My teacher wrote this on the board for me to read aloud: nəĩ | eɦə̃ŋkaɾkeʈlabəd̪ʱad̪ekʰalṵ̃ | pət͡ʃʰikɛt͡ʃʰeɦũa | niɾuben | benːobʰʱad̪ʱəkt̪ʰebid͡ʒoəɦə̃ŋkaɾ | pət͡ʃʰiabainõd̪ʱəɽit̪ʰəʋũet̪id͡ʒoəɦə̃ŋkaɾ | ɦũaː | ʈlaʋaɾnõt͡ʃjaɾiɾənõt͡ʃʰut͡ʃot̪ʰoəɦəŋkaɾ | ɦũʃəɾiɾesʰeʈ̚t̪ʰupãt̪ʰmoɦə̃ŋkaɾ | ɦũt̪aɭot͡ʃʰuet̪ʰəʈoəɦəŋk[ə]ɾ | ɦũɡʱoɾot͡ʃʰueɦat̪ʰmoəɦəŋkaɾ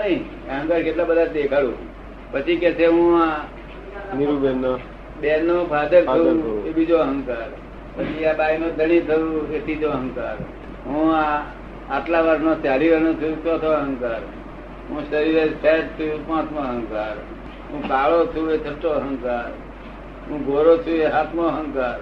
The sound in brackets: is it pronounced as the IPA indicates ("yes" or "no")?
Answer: no